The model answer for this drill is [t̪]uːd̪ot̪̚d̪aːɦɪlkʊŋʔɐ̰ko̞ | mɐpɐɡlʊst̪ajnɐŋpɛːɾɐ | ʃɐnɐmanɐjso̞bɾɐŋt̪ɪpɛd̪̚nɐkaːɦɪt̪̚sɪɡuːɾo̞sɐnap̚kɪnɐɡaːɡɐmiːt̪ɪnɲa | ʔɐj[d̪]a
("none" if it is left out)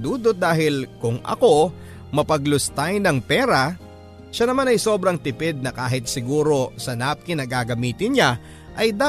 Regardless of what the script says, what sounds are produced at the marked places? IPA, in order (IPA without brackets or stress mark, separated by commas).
d̪, d̪